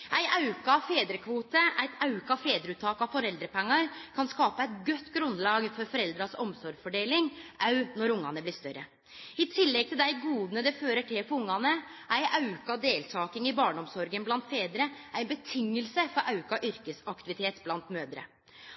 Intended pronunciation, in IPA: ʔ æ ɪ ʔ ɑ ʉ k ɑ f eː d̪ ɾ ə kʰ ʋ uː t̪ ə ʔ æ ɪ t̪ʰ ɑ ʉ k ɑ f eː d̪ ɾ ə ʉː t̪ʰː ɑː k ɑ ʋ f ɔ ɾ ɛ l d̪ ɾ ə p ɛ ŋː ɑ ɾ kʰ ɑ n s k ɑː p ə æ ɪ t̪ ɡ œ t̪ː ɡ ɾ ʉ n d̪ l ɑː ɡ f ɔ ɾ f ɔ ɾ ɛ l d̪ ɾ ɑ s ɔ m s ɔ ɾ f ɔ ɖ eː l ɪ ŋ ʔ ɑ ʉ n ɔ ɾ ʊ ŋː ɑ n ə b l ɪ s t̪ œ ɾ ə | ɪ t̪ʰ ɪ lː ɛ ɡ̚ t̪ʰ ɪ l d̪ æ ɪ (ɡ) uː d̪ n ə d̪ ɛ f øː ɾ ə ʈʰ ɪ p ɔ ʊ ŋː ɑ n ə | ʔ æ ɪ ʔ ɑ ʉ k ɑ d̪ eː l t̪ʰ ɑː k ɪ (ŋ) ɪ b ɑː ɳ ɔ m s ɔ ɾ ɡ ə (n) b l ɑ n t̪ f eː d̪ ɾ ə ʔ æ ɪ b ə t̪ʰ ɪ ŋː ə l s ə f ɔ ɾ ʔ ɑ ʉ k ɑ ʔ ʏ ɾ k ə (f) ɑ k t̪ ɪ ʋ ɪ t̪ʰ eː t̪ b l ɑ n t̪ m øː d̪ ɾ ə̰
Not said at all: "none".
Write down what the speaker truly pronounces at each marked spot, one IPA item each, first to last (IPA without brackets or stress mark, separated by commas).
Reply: ɡ, ŋ, n, s